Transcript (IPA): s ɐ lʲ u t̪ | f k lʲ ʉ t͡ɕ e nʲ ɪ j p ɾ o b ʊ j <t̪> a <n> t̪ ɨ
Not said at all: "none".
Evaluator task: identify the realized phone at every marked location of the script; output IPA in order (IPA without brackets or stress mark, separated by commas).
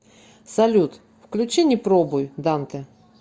d̪, n